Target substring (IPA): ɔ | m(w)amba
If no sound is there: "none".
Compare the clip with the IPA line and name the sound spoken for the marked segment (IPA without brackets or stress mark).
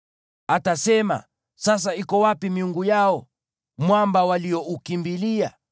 w